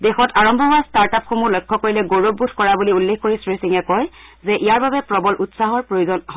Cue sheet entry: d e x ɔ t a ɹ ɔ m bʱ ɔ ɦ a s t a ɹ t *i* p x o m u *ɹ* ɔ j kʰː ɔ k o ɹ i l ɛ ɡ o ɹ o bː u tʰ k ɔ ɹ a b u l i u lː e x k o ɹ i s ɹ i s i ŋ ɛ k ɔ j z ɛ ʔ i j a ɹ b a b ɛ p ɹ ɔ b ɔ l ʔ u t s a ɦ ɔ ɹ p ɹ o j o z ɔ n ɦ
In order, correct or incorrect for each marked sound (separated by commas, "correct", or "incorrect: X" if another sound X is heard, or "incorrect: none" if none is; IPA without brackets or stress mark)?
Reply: incorrect: a, incorrect: l